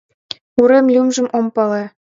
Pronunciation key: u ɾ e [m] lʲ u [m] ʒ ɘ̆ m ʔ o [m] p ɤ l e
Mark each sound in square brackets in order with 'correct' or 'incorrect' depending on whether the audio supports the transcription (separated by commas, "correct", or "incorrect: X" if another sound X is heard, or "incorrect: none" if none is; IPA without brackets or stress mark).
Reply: correct, correct, correct